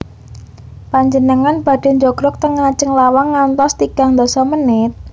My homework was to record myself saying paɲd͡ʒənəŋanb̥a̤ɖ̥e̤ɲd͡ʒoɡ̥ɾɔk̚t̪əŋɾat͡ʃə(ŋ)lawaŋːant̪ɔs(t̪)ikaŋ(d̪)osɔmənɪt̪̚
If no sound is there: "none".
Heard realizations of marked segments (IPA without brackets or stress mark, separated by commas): ŋ, t̪, d̪